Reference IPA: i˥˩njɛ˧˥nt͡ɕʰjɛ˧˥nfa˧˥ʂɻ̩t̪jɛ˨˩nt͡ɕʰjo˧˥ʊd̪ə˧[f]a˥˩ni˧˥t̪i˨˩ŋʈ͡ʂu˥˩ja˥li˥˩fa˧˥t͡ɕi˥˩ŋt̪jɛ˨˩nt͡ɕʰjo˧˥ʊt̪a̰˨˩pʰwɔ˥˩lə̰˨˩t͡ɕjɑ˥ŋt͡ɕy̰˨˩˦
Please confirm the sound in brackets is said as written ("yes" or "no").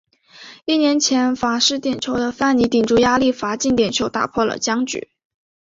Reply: yes